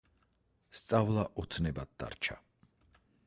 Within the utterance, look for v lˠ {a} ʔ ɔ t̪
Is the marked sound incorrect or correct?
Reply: correct